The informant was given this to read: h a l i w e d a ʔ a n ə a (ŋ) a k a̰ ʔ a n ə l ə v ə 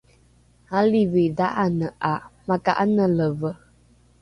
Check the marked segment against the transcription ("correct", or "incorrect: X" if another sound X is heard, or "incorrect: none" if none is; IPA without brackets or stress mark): incorrect: m